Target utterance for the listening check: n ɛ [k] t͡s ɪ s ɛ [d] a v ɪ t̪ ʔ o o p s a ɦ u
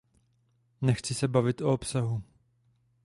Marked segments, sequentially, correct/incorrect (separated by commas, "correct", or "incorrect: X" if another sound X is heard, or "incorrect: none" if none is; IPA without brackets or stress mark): incorrect: x, incorrect: b